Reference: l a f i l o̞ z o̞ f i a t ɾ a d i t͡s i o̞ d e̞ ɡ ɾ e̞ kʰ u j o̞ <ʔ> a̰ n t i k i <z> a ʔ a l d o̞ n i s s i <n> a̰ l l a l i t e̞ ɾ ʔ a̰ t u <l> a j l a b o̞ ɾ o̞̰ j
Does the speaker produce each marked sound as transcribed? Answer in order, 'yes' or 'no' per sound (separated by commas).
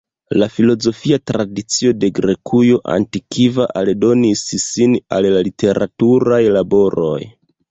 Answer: yes, no, yes, no